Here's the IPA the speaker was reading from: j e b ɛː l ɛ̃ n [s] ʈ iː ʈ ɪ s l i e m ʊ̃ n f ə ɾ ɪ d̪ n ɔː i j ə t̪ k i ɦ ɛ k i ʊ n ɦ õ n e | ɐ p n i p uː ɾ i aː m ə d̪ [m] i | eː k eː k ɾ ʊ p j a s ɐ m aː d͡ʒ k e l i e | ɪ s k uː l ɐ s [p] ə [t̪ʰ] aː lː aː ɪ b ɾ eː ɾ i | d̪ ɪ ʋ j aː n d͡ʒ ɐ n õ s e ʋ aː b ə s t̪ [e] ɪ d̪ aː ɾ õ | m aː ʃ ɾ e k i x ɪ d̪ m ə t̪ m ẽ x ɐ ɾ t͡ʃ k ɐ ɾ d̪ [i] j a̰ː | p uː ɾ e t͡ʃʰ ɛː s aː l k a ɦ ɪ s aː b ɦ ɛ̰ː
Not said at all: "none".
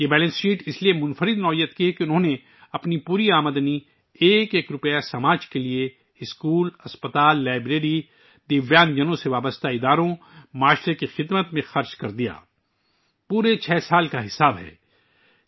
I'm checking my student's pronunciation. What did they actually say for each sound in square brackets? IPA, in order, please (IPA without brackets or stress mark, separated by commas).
s, n, p, t̪, a, i